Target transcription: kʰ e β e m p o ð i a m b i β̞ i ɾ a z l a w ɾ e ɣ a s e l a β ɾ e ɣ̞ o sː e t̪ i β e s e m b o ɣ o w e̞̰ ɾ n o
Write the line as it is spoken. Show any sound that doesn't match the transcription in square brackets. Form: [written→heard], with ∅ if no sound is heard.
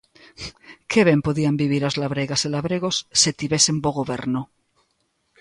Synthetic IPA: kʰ e β e m p o ð i a m b i β̞ i ɾ a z l a [w→β] ɾ e ɣ a s e l a β ɾ e ɣ̞ o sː e t̪ i β e s e m b o ɣ o [w→β] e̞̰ ɾ n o

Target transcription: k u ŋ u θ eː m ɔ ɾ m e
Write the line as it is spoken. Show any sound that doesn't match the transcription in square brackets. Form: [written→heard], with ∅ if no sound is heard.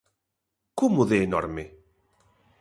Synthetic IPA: k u [ŋ→m] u [θ→ð] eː [m→n] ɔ ɾ m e

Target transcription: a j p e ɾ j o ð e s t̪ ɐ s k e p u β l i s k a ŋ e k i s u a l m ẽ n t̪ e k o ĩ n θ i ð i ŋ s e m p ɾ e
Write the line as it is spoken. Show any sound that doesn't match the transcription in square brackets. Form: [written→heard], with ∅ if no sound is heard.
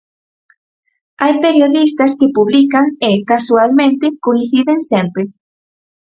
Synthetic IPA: a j p e ɾ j o ð [e→i] s t̪ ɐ s k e p u β l i [s→∅] k a ŋ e k [i→a] s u a l m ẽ n t̪ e k o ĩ n θ i ð [i→e] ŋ s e m p ɾ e

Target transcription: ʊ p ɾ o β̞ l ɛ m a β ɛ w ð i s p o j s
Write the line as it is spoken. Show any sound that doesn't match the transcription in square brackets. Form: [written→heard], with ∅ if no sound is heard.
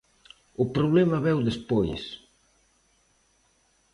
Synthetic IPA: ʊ p ɾ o β̞ l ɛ m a β ɛ w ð [i→e] s p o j s

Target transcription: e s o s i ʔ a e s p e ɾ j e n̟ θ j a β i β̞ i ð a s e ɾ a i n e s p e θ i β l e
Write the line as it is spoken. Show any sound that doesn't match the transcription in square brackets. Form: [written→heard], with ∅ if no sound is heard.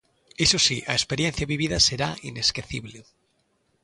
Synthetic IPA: e s o s i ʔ a e s p e ɾ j e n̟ θ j a β i β̞ i ð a s e ɾ a i n e s [p→k] e θ i β l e

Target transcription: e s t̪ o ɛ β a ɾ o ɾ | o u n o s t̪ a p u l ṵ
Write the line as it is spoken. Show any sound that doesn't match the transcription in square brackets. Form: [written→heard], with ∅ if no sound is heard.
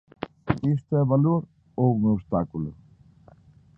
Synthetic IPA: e s t̪ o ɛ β a [ɾ→l] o ɾ | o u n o s t̪ a [p→k] u l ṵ

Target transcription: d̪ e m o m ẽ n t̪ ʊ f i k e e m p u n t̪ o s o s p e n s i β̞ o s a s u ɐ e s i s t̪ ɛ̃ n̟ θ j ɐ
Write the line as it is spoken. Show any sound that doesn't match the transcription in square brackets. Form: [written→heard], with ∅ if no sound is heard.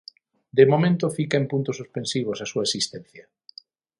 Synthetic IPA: d̪ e m o m ẽ n t̪ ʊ f i k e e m p u n t̪ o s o s p e n s i β̞ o s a s u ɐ e s i s t̪ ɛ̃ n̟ θ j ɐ

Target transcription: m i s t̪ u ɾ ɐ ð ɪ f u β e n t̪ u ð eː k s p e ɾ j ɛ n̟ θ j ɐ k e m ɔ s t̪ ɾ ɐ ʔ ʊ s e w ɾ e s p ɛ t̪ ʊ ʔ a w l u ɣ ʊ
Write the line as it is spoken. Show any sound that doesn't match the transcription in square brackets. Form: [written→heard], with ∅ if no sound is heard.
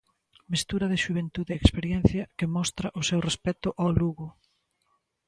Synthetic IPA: m i s t̪ u ɾ ɐ ð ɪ [f→ʃ] u β e n t̪ u ð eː k s p e ɾ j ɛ n̟ θ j ɐ k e m ɔ s t̪ ɾ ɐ ʔ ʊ s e w [ɾ→r] e s p ɛ t̪ ʊ ʔ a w l u ɣ ʊ

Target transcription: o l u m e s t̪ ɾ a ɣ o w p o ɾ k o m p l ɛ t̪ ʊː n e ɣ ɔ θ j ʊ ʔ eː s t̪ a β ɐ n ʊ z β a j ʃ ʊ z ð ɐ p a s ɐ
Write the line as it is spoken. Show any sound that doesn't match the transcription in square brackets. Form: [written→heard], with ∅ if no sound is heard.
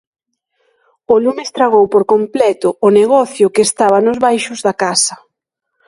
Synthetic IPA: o l u m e s t̪ ɾ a ɣ o w p o ɾ k o m p l ɛ t̪ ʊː n e ɣ ɔ θ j ʊ [ʔ→k] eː s t̪ a β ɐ n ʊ z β a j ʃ ʊ z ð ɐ [p→k] a s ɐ

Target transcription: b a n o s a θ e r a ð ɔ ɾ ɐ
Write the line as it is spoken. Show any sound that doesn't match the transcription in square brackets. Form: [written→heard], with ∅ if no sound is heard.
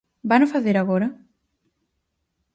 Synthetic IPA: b a n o [s→f] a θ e [r→ɾ] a [ð→ɣ] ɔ ɾ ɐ

